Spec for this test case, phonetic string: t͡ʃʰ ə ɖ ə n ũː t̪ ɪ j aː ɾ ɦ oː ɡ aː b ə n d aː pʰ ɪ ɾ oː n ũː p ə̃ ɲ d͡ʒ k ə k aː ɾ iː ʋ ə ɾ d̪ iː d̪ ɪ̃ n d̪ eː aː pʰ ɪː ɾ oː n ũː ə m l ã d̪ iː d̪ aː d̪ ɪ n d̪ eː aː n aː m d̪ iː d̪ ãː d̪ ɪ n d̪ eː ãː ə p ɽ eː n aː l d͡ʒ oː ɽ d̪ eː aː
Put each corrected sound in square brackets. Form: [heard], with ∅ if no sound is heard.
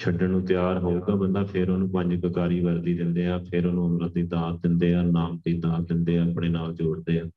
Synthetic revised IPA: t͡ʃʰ ə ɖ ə n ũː t̪ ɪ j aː ɾ ɦ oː ɡ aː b ə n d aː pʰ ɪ ɾ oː n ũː p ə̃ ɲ d͡ʒ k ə k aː ɾ iː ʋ ə ɾ d̪ iː d̪ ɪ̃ n d̪ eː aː pʰ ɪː ɾ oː n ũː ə m [ɾ] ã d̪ iː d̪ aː d̪ ɪ n d̪ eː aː n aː m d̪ iː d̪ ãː d̪ ɪ n d̪ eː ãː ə p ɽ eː n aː l d͡ʒ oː ɽ d̪ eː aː